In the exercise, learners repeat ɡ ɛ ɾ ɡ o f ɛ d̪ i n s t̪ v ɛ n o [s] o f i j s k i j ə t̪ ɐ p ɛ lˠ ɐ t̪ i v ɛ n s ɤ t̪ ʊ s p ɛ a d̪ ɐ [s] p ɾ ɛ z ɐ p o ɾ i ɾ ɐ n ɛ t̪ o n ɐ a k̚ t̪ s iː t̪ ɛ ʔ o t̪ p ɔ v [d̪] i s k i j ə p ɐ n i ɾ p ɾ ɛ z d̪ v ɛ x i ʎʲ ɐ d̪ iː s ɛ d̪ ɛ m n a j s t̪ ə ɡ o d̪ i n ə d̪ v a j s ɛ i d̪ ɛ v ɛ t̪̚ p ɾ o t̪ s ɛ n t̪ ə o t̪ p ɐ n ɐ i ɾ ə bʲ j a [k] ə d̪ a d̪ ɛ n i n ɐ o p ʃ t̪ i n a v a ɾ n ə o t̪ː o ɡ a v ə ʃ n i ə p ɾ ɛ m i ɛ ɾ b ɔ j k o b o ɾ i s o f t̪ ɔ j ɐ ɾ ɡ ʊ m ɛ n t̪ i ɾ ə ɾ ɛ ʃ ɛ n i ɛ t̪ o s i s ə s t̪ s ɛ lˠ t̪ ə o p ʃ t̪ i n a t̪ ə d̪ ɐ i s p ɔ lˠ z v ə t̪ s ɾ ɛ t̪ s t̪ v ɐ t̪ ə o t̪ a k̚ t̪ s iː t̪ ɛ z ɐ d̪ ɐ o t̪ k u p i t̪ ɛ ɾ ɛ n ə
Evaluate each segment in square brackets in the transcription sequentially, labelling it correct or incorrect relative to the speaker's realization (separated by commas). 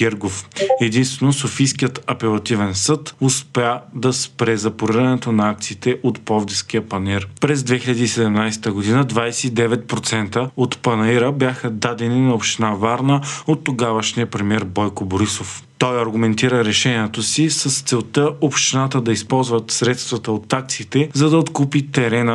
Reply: correct, correct, correct, incorrect